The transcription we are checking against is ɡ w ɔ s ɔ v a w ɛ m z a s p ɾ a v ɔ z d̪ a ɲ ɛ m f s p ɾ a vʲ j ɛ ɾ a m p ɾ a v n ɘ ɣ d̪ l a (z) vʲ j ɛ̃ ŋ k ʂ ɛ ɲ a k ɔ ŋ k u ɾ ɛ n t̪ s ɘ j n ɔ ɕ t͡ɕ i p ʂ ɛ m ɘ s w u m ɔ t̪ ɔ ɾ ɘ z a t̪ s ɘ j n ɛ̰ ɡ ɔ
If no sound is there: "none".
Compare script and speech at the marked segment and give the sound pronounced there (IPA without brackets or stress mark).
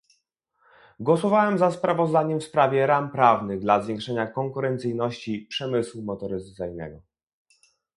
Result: z